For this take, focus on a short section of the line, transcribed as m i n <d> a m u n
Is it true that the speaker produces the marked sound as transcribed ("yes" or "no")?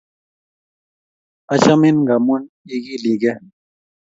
no